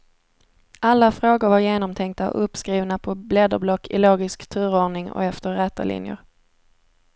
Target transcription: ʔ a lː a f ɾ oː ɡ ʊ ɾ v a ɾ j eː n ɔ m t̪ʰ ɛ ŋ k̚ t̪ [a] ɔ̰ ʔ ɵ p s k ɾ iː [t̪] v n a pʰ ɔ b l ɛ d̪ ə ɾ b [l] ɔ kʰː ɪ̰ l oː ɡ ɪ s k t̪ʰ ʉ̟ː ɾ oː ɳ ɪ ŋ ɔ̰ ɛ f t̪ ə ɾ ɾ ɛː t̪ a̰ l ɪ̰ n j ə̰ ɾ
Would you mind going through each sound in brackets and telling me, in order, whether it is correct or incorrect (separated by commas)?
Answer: correct, incorrect, correct